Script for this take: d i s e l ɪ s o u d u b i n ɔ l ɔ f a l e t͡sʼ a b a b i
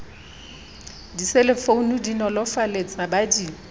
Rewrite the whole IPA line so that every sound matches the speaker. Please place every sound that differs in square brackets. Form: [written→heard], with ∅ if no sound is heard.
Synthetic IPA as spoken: d i s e l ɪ [s→f] o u [d→n] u [b→d] i n ɔ l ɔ f a l e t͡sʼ a b a [b→d] i